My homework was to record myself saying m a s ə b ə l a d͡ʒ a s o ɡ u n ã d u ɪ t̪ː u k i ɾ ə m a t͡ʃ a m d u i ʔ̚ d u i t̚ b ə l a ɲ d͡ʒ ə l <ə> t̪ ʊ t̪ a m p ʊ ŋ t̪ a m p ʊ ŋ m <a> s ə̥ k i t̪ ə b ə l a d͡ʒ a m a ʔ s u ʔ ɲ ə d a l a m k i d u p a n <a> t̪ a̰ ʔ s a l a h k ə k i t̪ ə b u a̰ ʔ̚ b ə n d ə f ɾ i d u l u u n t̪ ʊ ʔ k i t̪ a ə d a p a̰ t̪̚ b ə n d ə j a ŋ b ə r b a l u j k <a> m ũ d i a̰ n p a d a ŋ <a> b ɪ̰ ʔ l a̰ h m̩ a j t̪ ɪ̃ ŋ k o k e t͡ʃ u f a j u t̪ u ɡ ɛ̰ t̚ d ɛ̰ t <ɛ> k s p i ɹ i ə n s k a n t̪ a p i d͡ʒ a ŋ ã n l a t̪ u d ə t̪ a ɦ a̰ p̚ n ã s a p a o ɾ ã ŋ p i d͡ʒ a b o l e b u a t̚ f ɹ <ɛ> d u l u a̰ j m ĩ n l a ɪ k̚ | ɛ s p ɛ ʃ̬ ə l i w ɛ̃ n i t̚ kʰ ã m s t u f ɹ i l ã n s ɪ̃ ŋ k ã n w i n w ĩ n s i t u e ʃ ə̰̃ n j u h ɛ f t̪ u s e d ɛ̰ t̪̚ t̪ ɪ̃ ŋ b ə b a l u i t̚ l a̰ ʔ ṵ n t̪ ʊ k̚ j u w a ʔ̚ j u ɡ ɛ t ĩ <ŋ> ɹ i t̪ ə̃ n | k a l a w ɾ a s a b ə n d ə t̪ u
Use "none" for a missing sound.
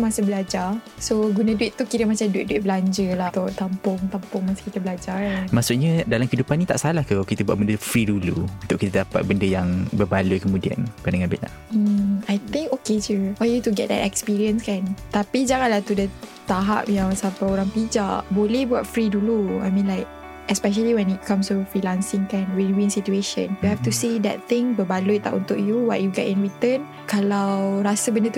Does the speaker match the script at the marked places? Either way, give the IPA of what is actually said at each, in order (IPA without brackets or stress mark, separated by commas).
a, a, i, ə, a, ɛ, i, n